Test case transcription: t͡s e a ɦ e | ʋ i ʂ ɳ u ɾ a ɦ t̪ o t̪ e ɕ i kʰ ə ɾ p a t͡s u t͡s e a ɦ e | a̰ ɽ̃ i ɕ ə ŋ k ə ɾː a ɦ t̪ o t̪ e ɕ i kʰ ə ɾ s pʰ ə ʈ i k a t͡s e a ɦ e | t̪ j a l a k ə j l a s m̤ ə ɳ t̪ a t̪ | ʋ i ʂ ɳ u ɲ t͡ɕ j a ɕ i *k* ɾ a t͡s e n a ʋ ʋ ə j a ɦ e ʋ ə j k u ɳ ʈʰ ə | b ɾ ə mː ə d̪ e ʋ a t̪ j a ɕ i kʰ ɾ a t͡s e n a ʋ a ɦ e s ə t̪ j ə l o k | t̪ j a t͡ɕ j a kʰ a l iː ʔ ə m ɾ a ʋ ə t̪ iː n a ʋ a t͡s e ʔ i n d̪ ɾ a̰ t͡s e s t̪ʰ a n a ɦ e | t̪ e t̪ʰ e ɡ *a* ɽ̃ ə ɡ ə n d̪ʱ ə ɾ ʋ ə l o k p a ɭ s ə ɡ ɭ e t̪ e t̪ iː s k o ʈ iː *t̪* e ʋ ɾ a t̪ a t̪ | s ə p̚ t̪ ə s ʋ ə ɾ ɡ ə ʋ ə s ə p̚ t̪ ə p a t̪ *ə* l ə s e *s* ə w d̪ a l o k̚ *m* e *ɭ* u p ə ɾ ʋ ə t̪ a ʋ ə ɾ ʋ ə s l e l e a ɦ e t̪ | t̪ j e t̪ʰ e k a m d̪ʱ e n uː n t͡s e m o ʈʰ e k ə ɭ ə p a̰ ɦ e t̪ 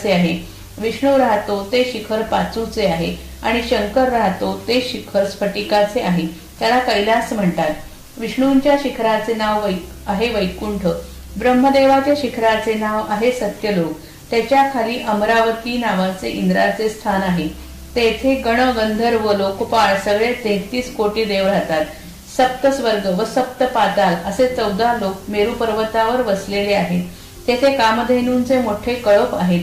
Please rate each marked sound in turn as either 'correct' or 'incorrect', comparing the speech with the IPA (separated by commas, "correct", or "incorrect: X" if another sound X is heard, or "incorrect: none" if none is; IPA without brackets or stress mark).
incorrect: kʰ, incorrect: ə, incorrect: d̪, incorrect: a, incorrect: t͡s, correct, incorrect: ɾ